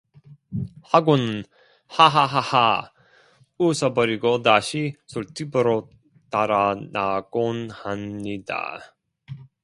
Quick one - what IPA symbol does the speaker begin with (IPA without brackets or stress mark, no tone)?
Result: h